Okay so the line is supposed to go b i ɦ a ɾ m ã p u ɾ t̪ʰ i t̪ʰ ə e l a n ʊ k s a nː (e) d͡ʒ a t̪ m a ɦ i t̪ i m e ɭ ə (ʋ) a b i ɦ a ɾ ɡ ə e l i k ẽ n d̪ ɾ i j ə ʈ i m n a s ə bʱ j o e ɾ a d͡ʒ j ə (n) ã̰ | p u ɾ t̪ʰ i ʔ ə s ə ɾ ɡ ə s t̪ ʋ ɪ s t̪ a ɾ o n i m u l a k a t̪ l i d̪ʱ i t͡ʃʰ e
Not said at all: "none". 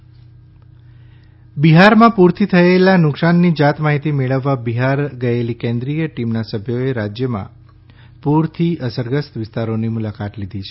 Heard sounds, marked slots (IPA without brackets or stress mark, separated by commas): i, ʋː, m